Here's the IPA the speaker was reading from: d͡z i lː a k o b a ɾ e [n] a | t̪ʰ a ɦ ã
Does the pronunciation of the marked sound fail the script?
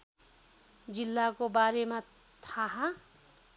yes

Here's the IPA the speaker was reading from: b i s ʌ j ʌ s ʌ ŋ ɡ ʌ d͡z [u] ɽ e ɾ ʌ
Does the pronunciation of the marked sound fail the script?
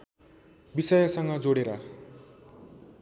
yes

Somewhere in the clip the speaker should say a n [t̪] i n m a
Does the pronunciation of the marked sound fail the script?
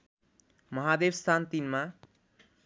no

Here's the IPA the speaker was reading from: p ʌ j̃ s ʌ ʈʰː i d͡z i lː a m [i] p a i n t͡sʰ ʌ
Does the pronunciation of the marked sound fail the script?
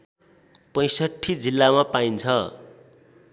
yes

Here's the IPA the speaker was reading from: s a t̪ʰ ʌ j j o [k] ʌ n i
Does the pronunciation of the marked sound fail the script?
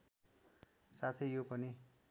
yes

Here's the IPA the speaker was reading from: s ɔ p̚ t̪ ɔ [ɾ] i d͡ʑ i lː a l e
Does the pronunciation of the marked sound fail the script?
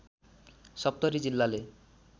no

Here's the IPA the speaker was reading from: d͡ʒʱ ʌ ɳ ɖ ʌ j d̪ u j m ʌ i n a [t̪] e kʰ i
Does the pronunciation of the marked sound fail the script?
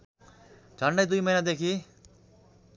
yes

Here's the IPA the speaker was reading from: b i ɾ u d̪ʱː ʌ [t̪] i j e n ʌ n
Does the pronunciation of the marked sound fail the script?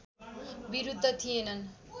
yes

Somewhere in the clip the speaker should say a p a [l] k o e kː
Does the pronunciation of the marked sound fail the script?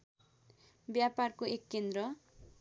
yes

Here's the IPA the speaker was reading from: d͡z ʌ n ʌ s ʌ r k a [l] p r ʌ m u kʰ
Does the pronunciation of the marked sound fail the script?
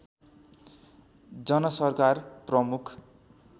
yes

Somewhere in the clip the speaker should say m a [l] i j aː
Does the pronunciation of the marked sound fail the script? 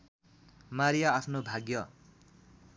yes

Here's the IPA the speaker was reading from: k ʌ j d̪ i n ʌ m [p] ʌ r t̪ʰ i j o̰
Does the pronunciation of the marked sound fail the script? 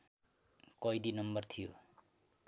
yes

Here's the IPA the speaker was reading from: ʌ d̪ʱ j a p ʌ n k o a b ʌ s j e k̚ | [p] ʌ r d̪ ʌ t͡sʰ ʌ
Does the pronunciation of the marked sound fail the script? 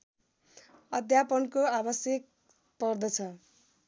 no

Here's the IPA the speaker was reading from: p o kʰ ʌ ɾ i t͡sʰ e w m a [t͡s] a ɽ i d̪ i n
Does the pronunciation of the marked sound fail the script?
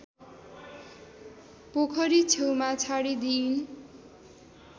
yes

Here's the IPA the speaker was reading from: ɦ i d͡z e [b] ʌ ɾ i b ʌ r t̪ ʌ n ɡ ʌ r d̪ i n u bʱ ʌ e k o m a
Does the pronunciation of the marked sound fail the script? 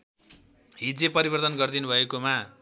yes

